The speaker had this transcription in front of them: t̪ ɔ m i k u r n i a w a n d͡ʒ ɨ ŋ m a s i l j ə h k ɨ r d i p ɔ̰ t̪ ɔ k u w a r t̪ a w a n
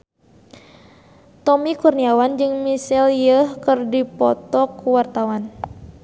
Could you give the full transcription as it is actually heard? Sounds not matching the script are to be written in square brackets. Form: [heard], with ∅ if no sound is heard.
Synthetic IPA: t̪ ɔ m i k u r n i a w a n d͡ʒ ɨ ŋ m [i] s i l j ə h k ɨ r d i p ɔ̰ t̪ ɔ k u w a r t̪ a w a n

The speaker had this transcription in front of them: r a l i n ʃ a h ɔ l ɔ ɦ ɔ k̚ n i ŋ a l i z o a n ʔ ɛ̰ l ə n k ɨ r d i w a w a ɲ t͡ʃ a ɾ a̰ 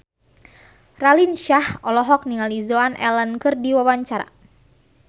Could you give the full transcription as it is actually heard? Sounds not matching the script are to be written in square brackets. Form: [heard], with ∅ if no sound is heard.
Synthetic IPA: r a l i n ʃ a h ɔ l ɔ ɦ ɔ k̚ n i ŋ a l i z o a n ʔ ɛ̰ l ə n k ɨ r d i w a w a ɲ t͡ʃ a ɾ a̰

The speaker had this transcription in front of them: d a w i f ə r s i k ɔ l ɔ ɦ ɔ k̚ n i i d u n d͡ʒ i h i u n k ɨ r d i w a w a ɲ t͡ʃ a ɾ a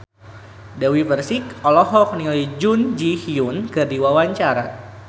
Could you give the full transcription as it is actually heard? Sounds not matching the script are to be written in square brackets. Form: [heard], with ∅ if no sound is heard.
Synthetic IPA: d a w i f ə r s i k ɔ l ɔ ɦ ɔ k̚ n i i [d͡ʒ] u n d͡ʒ i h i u n k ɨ r d i w a w a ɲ t͡ʃ a ɾ a

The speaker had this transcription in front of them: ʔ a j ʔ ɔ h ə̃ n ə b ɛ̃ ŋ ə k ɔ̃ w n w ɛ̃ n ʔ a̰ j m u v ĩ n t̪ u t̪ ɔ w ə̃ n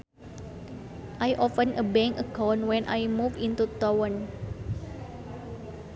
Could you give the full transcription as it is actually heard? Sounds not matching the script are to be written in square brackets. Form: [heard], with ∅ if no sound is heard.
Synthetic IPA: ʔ a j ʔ ɔ [f] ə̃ n ə b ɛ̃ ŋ ə k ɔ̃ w n w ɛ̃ n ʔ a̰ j m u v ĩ n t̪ u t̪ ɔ w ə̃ n

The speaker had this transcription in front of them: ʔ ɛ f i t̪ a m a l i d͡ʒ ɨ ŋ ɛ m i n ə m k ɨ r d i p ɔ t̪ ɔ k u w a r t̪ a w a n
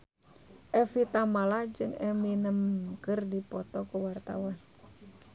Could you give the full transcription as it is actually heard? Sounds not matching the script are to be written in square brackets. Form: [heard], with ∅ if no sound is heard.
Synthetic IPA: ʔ ɛ f i t̪ a m a l [a] d͡ʒ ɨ ŋ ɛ m i n ə m k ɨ r d i p ɔ t̪ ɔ k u w a r t̪ a w a n

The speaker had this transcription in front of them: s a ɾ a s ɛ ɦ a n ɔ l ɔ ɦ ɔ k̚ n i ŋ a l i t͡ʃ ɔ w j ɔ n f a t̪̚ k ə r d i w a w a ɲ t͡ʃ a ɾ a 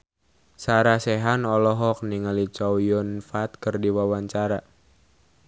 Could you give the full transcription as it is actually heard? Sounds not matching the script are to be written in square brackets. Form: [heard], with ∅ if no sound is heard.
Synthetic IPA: s a ɾ a s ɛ ɦ a n ɔ l ɔ ɦ ɔ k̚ n i ŋ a l i t͡ʃ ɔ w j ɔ n f a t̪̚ k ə r d i w a w a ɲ t͡ʃ a ɾ a

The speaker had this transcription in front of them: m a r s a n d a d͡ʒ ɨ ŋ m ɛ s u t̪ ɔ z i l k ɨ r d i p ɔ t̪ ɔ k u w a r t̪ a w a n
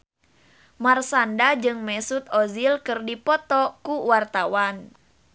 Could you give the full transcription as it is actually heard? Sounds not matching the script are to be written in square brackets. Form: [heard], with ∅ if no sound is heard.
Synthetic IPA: m a r s a n d a d͡ʒ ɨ ŋ m ɛ s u t̪ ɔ z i l k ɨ r d i p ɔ t̪ ɔ k u w a r t̪ a w a n

